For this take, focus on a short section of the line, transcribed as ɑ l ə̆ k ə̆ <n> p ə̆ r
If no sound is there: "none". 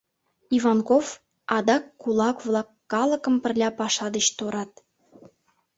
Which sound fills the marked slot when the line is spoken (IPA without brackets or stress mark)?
m